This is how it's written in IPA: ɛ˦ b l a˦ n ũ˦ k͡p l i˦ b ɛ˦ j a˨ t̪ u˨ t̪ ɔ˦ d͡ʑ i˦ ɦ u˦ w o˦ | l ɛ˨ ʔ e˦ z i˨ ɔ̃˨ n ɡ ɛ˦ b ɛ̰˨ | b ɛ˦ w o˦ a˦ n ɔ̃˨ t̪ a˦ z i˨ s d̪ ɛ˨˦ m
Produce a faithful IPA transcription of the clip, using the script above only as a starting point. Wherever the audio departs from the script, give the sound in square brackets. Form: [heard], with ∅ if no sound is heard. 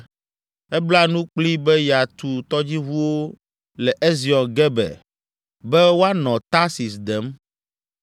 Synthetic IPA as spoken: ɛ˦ b l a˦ n ũ˦ k͡p l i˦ b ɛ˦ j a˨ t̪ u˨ t̪ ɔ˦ d͡ʑ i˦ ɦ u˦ w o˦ | l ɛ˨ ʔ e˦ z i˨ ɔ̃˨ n ɡ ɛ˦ b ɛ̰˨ | b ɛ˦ w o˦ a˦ n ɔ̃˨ t̪ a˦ [s] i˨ s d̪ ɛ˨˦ m